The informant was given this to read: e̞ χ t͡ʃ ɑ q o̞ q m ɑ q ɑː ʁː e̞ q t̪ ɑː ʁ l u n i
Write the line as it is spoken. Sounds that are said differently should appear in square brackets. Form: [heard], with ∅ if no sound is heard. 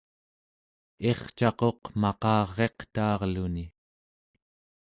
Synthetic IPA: e̞ χ t͡ʃ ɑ q o̞ q m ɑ q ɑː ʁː e̞ q t̪ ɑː ʁ l u n i